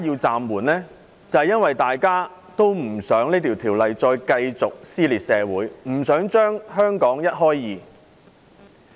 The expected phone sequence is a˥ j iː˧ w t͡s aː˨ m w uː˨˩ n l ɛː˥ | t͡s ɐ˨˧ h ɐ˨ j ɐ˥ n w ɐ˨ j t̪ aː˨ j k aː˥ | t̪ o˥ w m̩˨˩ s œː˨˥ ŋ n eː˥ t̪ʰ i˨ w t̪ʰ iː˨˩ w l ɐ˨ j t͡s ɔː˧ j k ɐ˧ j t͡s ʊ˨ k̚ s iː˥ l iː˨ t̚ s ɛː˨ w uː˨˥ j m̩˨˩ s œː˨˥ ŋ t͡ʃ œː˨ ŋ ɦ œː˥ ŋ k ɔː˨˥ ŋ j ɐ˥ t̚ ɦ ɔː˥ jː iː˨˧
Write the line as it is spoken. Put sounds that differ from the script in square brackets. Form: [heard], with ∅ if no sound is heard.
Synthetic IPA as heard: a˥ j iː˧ w t͡s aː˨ m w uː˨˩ n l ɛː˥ | t͡s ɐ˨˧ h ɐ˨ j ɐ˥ n w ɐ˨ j t̪ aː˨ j k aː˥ | t̪ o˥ w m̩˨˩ s œː˨˥ ŋ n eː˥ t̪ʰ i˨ w t̪ʰ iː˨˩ w l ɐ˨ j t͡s ɔː˧ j k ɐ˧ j t͡s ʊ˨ k̚ s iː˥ l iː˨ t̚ s ɛː˨ w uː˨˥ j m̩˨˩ s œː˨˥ ŋ t͡ʃ [œː˥] ŋ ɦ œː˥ ŋ k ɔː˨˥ ŋ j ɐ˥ t̚ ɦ ɔː˥ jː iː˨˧